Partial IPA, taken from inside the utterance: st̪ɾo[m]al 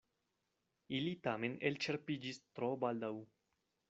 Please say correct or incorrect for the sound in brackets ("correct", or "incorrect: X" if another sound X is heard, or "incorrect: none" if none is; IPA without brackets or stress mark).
incorrect: b